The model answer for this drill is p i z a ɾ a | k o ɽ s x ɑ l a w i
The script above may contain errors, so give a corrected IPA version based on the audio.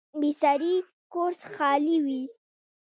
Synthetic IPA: b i s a ɾ i | k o ɾ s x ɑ l i w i